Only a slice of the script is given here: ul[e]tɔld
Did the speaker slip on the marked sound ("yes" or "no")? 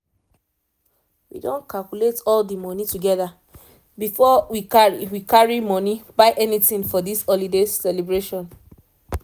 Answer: no